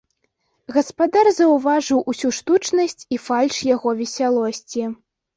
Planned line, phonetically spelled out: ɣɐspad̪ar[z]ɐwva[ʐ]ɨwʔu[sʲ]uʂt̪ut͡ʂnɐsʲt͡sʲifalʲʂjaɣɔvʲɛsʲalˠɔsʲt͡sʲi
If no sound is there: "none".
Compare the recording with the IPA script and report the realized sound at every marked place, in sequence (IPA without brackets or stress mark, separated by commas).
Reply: z, ʐ, sʲ